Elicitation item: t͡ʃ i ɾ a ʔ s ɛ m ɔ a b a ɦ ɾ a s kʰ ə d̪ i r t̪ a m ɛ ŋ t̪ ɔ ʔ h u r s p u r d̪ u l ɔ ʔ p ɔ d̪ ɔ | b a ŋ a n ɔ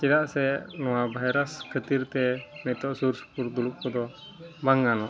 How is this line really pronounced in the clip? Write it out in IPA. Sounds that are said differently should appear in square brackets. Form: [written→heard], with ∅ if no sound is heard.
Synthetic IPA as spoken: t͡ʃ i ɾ a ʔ s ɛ [m→n] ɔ a b a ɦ ɾ a s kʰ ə [d̪→t̪] i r t̪ [a→ɛ] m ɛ [ŋ→∅] t̪ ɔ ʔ [h→s] u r s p u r d̪ u l [ɔ→u] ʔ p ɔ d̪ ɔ | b a ŋ a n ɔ